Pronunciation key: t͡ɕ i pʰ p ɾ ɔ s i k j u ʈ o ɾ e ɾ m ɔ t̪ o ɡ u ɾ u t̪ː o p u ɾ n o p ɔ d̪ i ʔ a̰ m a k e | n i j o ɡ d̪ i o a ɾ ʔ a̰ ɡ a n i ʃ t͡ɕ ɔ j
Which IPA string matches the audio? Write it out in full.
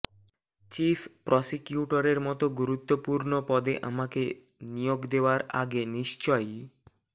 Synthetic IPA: t͡ɕ i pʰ p ɾ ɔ s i k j u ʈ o ɾ e ɾ m ɔ t̪ o ɡ u ɾ u t̪ː o p u ɾ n o p ɔ d̪ e ʔ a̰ m a k e | n i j o ɡ d̪ e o a ɾ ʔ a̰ ɡ e n i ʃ t͡ɕ ɔ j